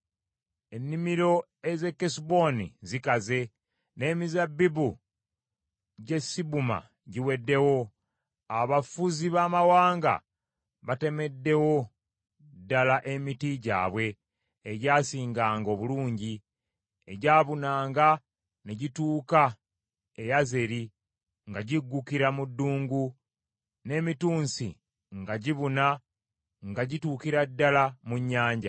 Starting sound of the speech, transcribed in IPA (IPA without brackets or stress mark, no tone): e̞